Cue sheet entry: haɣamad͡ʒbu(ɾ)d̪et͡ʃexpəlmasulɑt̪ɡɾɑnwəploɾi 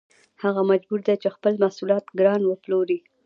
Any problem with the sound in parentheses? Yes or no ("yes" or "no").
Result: no